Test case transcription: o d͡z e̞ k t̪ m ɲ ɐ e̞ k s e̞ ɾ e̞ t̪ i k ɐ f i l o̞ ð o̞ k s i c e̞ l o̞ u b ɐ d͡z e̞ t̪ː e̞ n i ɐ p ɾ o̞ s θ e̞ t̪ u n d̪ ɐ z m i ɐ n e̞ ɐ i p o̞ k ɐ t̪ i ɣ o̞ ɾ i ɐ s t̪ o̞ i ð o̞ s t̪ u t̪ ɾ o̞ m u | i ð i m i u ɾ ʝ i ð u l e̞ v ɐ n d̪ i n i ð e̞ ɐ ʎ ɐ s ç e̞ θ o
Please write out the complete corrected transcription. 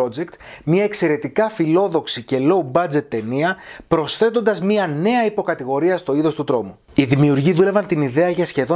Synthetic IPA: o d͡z e̞ k t̪ m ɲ ɐ e̞ k s e̞ ɾ e̞ t̪ i k ɐ f i l o̞ ð o̞ k s i c e̞ l o̞ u b ɐ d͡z e̞ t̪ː e̞ n i ɐ p ɾ o̞ s θ e̞ t̪ o n d̪ ɐ z m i ɐ n e̞ ɐ i p o̞ k ɐ t̪ i ɣ o̞ ɾ i ɐ s t̪ o̞ i ð o̞ s t̪ u t̪ ɾ o̞ m u | i ð i m i u ɾ ʝ i ð u l e̞ v ɐ n t̪ i n i ð e̞ ɐ ʝ ɐ s ç e̞ ð o